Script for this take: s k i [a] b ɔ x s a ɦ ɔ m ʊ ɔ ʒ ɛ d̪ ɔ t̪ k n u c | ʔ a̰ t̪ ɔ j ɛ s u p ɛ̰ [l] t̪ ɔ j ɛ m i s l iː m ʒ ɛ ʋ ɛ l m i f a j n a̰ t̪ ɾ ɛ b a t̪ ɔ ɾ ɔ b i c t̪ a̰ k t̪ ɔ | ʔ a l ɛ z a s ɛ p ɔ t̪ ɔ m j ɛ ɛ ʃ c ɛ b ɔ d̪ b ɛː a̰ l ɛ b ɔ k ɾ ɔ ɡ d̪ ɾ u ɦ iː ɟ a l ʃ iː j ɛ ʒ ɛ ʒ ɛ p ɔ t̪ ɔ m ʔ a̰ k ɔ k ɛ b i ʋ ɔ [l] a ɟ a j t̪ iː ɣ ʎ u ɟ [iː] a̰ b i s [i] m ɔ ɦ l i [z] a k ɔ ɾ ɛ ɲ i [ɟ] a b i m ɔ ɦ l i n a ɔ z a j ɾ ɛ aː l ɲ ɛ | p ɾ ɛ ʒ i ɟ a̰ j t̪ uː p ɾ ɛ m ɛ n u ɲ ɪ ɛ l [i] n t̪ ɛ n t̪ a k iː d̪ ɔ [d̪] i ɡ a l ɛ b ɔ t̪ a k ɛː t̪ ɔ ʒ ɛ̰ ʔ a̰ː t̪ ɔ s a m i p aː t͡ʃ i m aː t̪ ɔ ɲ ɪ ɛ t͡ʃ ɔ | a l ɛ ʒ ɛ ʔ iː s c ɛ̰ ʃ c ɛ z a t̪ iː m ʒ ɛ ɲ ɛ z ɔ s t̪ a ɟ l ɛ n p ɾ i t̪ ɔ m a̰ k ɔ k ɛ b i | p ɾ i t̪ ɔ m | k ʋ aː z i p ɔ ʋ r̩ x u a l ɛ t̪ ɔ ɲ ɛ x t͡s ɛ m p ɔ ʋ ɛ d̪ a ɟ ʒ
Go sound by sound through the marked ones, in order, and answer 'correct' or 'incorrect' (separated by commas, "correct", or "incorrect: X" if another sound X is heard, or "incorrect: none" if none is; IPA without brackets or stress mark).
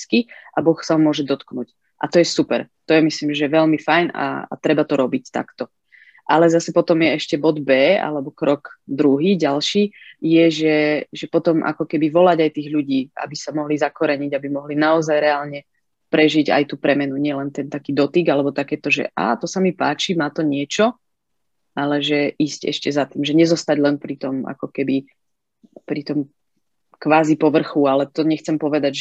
correct, incorrect: ɾ, correct, correct, incorrect: a, correct, correct, incorrect: ɛ, incorrect: t̪